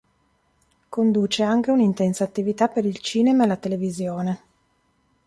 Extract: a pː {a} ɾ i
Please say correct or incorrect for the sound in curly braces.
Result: incorrect